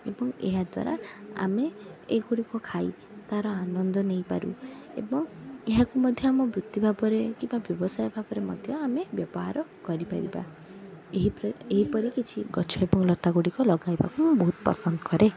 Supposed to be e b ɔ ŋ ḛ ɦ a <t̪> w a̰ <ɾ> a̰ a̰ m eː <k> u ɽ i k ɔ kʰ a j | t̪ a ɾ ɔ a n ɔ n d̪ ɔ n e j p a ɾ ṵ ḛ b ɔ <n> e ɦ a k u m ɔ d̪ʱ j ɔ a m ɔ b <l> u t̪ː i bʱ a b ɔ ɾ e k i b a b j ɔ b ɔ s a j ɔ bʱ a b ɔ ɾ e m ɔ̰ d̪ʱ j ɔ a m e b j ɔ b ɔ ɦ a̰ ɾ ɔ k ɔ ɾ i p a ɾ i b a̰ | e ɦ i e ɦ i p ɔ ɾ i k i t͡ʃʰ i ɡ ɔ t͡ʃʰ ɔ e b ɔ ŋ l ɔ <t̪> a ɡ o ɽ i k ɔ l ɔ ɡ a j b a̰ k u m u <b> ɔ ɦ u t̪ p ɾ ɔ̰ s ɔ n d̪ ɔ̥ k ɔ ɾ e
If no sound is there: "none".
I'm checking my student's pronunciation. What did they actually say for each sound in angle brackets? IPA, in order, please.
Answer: d̪, ɾ, ɡ, ŋ, ɾ, t̪, b

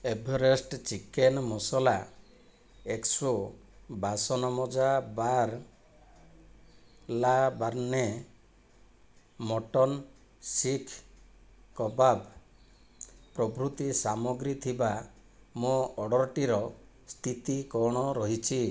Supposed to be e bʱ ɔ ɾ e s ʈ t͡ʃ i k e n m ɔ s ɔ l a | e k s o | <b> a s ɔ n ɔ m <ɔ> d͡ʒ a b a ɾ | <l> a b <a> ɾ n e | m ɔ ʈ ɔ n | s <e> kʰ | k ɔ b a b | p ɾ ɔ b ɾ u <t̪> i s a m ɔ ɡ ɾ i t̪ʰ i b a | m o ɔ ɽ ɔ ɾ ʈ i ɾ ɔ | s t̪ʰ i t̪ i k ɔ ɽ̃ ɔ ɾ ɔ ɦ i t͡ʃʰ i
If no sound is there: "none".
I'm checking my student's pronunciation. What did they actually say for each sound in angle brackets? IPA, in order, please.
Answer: b, ɔ, l, a, i, t̪

